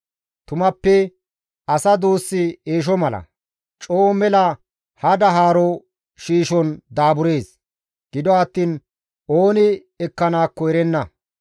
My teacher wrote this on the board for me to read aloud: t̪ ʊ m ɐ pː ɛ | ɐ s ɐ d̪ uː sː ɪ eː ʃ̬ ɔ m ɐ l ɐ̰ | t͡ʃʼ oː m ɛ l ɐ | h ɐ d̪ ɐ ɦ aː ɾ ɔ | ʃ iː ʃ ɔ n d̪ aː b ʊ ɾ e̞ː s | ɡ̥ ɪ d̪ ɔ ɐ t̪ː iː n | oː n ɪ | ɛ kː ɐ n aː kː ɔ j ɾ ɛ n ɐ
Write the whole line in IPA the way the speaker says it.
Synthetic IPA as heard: t̪ ʊ m ɐ pː ɛ | ɐ s ɐ d̪ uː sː ɪ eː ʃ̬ ɔ m ɐ l ɐ̰ | t͡ʃʼ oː m ɛ l ɐ | h ɐ d̪ ɐ ɦ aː ɾ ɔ | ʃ iː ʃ ɔ n d̪ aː b ʊ ɾ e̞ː s | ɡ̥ ɪ d̪ ɔ ɐ t̪ː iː n | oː n ɪ | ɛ kː ɐ n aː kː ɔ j ɾ ɛ nː ɐ